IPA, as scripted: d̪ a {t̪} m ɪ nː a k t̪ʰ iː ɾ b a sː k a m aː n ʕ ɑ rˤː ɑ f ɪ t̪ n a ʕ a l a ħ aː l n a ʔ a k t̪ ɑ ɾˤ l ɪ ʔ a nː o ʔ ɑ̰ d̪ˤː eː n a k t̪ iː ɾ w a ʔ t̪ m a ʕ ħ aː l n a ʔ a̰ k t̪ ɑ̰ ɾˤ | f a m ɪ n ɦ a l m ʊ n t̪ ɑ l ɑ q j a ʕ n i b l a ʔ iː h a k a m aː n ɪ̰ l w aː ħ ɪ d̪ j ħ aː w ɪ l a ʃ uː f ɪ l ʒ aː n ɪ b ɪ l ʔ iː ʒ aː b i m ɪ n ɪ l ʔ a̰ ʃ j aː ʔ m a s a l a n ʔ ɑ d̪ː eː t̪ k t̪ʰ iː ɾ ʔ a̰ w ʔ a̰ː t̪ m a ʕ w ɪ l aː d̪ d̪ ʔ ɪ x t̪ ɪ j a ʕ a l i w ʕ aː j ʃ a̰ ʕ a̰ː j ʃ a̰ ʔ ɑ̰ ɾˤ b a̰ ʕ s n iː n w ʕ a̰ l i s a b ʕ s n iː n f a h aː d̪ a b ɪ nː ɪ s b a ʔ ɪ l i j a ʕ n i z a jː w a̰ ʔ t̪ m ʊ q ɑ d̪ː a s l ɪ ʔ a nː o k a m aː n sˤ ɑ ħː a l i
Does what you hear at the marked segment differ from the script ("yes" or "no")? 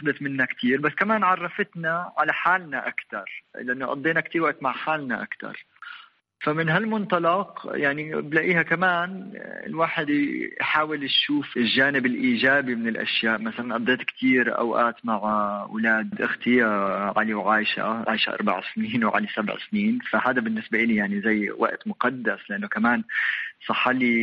no